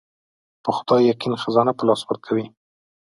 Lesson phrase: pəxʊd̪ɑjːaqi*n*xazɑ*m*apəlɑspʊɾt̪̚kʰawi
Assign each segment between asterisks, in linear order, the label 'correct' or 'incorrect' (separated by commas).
correct, incorrect